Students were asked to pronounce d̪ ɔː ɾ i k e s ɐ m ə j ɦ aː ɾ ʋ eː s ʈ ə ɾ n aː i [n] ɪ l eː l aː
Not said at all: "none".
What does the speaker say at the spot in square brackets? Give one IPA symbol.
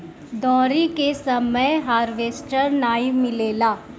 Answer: m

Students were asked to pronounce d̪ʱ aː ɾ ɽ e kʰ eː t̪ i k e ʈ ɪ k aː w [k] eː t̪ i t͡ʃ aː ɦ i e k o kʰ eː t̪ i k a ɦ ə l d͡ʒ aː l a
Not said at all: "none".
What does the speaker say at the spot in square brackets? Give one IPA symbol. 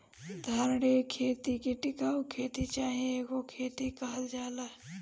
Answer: kʰ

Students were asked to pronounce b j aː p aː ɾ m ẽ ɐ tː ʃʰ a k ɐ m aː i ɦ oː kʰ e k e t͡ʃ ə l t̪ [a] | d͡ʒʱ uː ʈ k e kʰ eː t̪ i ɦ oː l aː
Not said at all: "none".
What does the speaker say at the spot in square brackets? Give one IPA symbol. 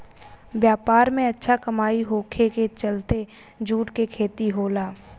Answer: e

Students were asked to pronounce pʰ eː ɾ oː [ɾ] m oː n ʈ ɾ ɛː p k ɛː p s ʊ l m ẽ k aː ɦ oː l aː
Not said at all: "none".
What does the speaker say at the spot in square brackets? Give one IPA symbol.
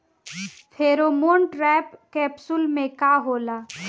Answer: none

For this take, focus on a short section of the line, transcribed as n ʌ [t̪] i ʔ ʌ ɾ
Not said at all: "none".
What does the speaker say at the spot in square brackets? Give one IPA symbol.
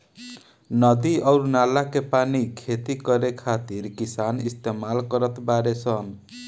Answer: d̪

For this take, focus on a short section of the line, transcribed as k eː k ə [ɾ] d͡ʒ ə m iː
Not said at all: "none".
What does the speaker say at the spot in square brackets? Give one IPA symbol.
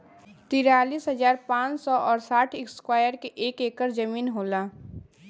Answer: ɾ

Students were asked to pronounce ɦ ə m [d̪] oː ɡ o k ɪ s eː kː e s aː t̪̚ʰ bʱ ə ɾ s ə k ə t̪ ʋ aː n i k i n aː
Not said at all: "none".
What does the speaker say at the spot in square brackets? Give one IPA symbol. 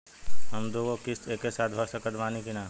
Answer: d̪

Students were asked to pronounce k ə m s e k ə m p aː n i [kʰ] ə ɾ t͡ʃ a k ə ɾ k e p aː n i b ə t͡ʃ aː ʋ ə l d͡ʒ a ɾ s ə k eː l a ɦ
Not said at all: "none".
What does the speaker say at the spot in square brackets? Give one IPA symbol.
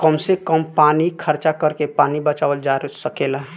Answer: kʰ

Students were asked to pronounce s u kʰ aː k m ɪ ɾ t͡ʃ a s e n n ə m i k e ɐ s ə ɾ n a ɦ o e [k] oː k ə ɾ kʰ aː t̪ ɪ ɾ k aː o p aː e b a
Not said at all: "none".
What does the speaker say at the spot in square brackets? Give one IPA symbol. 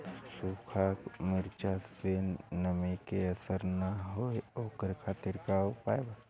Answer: none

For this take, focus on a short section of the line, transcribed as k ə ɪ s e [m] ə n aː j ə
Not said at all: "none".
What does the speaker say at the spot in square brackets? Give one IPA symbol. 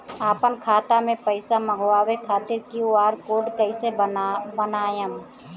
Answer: b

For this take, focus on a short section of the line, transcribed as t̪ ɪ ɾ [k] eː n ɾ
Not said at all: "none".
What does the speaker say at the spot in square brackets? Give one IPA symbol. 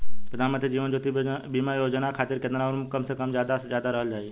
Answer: k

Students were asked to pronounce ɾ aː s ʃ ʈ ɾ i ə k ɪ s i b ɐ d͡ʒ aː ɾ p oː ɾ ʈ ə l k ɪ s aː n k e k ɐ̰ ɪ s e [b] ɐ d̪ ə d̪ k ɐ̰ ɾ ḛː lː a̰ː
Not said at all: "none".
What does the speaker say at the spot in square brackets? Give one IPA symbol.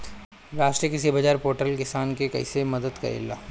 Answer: m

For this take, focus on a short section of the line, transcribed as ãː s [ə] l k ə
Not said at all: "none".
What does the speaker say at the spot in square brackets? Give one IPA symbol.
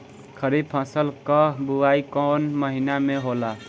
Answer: ə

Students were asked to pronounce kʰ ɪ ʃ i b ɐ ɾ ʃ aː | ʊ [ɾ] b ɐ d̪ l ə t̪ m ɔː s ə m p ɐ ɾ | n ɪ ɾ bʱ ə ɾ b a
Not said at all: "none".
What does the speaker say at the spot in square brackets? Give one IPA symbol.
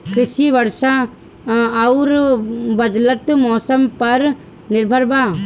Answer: ɾ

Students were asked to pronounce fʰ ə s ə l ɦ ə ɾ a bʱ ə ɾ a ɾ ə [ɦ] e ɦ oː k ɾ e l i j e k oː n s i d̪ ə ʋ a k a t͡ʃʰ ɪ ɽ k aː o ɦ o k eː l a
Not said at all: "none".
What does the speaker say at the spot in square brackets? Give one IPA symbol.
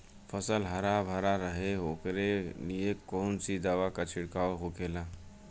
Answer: ɦ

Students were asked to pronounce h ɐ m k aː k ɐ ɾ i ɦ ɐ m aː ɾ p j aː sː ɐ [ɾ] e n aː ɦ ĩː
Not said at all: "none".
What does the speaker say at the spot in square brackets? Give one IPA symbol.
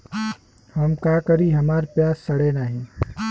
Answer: ɽ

